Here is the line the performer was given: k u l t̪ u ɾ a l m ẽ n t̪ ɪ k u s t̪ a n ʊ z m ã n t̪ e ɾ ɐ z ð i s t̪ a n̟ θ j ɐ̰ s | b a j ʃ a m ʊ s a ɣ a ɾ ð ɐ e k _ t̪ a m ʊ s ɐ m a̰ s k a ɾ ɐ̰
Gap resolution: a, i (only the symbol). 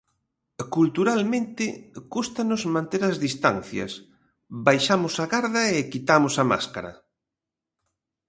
i